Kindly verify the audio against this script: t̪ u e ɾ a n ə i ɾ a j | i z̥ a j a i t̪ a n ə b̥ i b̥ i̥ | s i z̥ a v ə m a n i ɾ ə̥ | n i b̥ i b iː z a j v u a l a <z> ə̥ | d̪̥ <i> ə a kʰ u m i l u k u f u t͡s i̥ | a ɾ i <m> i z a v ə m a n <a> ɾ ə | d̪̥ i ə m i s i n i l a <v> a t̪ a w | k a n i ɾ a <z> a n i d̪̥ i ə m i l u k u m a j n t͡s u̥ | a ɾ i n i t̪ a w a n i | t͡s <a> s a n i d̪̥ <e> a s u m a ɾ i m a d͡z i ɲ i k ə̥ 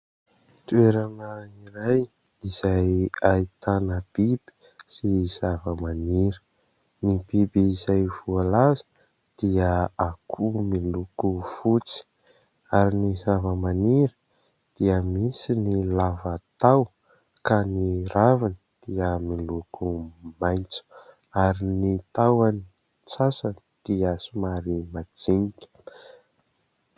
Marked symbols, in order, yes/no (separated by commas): yes, yes, no, no, yes, no, yes, no